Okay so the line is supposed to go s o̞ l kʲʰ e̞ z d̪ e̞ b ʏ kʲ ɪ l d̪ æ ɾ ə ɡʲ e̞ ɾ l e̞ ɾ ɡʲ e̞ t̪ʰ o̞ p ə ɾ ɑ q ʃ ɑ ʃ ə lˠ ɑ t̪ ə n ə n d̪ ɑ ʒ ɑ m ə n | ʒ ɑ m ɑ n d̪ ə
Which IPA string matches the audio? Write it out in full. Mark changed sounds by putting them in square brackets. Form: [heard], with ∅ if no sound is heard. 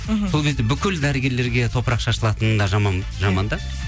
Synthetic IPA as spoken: s o̞ l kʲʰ e̞ z d̪ e̞ b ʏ kʲ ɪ l d̪ æ ɾ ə ɡʲ e̞ ɾ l e̞ ɾ ɡʲ e̞ t̪ʰ o̞ p ə ɾ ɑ q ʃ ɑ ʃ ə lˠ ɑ t̪ ə n ə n d̪ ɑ ʒ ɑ m [ɑ] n | ʒ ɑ m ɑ n d̪ [ɑ]